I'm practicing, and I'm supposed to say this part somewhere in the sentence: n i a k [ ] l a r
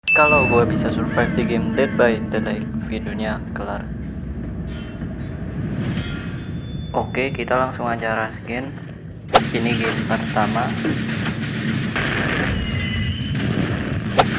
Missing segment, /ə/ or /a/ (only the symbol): ə